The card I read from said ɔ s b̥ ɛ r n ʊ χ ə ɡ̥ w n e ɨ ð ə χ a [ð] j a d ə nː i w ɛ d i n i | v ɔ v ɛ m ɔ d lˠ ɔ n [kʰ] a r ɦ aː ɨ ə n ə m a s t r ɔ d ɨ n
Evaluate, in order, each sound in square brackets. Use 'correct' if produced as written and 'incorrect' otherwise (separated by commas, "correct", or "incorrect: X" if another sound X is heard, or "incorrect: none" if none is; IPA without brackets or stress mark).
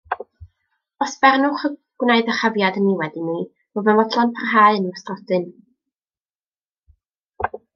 incorrect: v, incorrect: pʰ